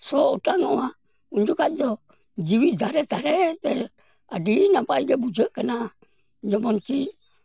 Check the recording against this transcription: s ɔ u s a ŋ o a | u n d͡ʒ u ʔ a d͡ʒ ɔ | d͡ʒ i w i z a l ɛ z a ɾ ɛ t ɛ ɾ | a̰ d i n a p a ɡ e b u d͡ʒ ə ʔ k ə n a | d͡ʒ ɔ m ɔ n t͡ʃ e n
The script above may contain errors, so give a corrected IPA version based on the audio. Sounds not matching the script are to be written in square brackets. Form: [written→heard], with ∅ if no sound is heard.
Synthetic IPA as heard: s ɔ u [s→t] a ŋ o a | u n d͡ʒ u [ʔ→k] a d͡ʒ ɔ | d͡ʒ i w i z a [l→ɾ] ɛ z a ɾ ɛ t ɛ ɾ | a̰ d i n a p a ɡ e b u d͡ʒ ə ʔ k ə n a | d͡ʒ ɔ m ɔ n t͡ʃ [e→i] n